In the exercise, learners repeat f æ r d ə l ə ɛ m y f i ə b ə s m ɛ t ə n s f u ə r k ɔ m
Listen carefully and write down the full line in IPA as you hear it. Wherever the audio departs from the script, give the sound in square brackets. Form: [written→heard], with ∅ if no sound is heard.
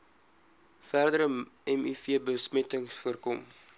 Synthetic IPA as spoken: f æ r d ə [l→ɾ] ə ɛ m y f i ə b ə s m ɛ t ə [n→ŋ] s f u ə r k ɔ m